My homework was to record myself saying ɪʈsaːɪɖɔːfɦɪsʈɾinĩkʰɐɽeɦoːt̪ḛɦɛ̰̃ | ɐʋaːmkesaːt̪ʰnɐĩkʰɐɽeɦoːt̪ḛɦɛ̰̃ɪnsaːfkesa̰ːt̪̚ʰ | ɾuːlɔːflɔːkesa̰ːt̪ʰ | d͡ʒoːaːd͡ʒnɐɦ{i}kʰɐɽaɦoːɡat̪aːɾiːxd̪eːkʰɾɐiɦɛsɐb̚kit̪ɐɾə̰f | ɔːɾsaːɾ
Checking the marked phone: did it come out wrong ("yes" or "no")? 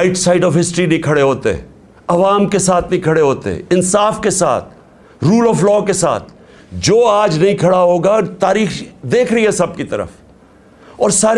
yes